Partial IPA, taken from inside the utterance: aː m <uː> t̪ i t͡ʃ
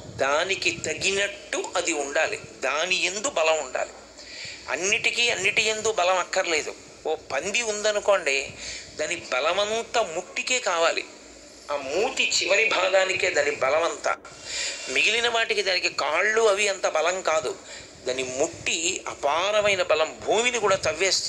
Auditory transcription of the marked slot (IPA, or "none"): uː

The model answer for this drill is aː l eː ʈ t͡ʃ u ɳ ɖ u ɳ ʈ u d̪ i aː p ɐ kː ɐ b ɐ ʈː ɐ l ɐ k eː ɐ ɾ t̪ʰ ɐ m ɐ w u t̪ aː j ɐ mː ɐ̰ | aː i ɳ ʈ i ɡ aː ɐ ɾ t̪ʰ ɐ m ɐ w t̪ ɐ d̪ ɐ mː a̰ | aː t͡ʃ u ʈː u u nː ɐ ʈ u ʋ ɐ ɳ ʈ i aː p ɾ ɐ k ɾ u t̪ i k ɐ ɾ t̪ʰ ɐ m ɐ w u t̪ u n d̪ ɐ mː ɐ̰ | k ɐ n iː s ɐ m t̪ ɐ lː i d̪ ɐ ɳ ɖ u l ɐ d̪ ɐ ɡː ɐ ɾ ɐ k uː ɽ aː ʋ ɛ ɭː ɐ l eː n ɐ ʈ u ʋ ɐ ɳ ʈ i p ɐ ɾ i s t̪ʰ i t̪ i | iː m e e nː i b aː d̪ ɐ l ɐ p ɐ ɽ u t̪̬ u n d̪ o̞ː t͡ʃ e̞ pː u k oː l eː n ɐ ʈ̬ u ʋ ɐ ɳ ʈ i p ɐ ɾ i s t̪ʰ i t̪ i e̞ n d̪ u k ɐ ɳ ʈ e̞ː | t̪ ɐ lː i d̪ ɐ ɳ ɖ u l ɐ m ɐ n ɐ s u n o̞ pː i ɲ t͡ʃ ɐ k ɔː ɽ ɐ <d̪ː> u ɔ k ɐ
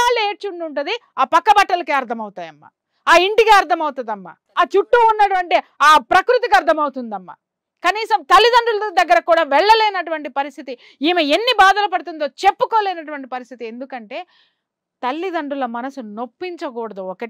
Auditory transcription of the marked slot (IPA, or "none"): d̪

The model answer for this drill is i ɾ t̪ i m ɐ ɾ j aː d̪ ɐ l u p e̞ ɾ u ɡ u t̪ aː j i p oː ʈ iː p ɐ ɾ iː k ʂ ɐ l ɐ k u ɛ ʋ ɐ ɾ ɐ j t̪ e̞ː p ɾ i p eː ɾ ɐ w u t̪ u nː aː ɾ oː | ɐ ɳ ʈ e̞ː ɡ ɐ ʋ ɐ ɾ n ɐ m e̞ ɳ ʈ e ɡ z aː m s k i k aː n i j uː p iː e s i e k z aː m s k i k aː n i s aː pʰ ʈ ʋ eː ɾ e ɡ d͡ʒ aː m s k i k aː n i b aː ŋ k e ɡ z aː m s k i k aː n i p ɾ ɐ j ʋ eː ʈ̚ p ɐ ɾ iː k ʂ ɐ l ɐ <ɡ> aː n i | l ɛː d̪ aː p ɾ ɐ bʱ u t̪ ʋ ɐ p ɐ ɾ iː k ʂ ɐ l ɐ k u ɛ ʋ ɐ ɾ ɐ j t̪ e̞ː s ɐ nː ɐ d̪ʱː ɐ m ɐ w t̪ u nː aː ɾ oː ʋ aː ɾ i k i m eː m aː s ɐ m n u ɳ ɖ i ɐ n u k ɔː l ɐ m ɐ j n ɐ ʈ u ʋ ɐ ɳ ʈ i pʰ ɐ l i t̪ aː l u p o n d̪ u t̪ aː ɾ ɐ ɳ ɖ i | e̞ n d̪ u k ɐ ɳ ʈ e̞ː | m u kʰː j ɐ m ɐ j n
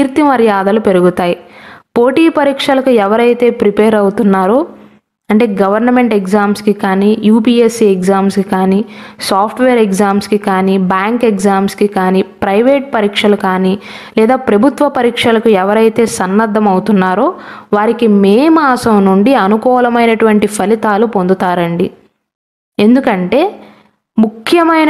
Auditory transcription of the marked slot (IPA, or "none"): k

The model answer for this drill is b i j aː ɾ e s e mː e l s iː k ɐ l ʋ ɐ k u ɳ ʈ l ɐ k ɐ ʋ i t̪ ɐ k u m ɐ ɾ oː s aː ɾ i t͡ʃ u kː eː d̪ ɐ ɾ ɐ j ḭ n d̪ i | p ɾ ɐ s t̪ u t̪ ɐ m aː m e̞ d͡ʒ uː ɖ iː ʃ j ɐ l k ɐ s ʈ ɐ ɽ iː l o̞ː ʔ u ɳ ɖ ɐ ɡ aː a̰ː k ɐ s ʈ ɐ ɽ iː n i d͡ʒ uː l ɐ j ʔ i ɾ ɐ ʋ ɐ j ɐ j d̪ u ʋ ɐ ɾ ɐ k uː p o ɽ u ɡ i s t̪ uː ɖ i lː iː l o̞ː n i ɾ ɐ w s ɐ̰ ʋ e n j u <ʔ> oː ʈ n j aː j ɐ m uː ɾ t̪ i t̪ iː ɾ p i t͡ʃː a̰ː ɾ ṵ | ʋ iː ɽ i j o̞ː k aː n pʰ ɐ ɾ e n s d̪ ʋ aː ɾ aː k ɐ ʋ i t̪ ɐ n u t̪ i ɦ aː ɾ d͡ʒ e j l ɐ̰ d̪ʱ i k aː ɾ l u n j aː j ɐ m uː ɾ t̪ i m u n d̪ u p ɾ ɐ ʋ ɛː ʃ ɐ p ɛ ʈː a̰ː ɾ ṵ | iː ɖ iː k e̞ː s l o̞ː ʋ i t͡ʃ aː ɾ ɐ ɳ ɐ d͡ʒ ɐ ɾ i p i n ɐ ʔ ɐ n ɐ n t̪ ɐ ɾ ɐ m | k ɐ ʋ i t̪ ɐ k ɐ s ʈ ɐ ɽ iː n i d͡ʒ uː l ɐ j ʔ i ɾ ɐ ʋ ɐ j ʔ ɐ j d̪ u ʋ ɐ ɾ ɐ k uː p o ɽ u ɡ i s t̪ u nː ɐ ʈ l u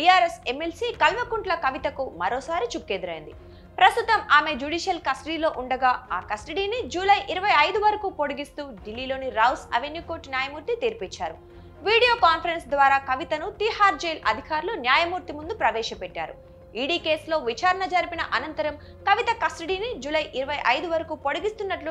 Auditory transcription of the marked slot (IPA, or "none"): k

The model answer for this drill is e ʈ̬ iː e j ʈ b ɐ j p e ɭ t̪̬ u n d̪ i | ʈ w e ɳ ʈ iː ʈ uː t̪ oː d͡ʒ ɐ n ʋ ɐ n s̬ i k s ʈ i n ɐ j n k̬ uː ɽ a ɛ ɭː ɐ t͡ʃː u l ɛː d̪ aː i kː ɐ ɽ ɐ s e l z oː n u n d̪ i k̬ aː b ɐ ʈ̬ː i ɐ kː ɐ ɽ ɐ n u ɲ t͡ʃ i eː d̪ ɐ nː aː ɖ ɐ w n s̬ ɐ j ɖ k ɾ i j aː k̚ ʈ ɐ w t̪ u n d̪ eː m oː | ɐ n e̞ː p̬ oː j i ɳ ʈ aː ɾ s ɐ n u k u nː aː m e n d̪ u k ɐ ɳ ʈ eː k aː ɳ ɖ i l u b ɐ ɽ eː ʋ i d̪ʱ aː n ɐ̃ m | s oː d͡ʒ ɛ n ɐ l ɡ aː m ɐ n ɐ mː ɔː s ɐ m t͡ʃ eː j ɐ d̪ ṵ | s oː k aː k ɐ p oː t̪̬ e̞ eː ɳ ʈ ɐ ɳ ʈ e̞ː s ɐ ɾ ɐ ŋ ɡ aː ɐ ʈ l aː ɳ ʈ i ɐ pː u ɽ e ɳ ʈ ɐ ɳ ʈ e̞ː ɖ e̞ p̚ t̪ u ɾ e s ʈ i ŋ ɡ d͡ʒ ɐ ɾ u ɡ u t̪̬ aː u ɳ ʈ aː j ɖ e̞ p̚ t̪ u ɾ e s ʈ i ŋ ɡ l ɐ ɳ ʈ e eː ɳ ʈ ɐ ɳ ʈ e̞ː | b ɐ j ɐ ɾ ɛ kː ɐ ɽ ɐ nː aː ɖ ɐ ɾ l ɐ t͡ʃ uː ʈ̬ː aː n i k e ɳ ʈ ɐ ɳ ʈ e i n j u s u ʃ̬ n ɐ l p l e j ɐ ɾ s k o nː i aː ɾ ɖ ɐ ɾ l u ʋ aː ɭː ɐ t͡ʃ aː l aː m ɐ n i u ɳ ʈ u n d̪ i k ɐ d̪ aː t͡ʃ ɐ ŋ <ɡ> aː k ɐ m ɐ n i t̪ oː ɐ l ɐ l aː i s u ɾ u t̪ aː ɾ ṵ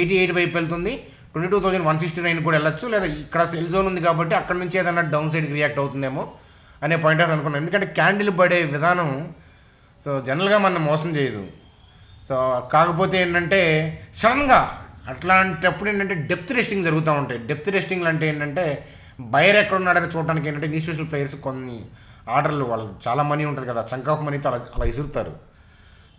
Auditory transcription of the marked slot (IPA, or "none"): k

